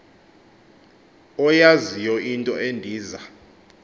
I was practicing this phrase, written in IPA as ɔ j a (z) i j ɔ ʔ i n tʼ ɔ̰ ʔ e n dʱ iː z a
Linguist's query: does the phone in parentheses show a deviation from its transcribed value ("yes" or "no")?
no